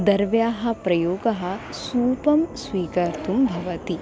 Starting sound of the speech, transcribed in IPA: d̪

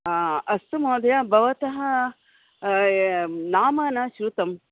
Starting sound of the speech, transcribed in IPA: ɐ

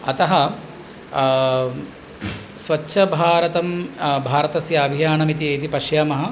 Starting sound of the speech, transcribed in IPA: ɐ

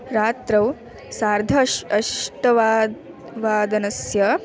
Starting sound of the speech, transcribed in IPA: ɾ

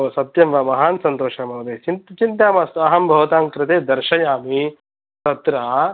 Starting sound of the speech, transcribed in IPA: s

